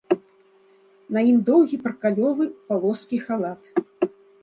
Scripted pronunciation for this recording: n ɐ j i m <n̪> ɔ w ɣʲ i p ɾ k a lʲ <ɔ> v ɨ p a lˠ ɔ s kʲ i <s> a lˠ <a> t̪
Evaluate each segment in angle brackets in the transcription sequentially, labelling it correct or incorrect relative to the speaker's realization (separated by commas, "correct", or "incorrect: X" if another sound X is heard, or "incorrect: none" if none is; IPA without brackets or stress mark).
incorrect: d̪, correct, incorrect: x, correct